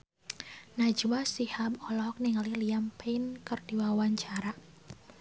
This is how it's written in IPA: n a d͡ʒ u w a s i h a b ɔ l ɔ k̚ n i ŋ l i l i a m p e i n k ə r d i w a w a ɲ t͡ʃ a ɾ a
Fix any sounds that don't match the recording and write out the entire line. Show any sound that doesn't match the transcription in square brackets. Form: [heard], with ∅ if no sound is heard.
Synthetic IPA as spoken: n a d͡ʒ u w a s i h a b ɔ l ɔ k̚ n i ŋ l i l i a m p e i n k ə r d i w a w a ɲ t͡ʃ a ɾ a